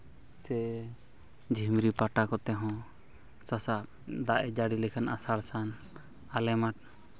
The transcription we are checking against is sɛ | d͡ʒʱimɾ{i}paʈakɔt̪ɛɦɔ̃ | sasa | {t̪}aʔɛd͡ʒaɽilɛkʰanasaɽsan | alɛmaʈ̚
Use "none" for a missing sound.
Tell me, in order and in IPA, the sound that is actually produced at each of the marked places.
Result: i, d̪

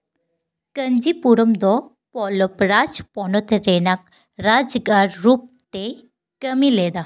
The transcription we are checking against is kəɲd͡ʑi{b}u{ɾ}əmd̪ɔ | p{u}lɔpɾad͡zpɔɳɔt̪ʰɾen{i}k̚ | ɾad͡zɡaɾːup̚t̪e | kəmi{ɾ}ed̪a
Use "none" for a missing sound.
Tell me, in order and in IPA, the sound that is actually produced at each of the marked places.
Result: p, ɾ, ɔ, a, l

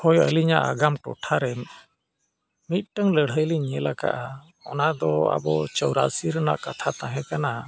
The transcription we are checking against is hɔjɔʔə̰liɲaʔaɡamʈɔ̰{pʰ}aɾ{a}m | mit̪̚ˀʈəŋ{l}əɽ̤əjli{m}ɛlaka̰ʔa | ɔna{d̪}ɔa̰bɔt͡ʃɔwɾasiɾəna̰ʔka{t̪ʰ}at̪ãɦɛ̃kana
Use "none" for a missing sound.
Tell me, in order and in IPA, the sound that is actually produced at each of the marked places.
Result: ʈʰ, ɛ, l, ɲ, d̪, t̪ʰ

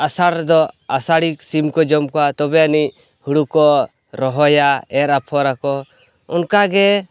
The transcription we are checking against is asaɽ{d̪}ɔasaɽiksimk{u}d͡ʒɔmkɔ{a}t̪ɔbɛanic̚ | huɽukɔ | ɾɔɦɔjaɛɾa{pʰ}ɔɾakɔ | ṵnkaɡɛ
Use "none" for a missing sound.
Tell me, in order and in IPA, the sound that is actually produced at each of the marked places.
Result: d̪, ɔ, a, pʰ

